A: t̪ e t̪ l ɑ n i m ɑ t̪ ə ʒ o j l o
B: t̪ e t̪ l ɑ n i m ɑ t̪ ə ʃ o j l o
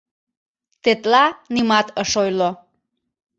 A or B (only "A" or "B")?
B